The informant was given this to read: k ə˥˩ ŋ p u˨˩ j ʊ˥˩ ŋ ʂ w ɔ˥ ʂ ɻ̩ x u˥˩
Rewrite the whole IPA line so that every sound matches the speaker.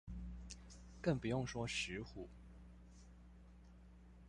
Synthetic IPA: k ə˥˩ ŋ p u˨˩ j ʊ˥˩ ŋ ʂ w ɔ˥ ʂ ɻ̩ x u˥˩